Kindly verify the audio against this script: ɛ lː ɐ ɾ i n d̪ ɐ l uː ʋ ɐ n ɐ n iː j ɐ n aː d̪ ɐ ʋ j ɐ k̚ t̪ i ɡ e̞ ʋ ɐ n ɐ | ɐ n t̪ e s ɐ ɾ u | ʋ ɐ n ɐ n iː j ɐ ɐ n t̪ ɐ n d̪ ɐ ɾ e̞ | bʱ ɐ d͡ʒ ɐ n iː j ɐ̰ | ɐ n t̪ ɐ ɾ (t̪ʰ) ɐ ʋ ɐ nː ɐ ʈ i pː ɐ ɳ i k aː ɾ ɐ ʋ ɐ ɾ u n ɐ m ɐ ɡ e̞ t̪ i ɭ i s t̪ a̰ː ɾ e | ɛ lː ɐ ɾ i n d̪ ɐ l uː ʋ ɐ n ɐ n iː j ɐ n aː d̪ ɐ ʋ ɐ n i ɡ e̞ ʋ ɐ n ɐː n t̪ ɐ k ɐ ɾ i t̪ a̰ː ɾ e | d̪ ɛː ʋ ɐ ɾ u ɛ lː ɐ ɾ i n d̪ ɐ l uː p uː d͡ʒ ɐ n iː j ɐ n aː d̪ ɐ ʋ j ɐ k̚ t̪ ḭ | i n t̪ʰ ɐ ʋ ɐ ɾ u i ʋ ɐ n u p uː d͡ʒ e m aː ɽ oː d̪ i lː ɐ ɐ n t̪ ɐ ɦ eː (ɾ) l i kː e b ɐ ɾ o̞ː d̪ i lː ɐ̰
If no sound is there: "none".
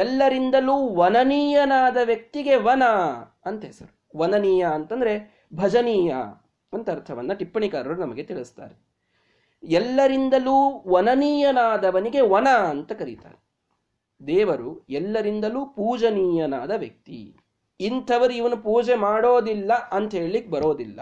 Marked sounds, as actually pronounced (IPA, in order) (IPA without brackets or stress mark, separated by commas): t̪ʰ, ɭ